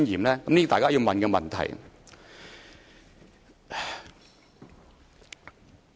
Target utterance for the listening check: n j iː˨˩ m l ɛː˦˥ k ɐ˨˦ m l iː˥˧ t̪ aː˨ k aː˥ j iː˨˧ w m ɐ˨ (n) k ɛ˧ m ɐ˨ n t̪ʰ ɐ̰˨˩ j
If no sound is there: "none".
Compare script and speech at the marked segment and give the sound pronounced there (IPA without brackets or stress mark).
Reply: n